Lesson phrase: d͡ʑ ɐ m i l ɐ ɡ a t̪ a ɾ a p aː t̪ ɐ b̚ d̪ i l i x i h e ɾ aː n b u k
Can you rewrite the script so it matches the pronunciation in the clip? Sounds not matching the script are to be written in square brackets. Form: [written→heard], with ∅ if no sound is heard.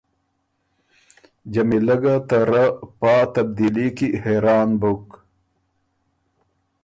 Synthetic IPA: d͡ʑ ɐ m i l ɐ ɡ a t̪ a ɾ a p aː t̪ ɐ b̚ d̪ i l i [x→k] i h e ɾ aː n b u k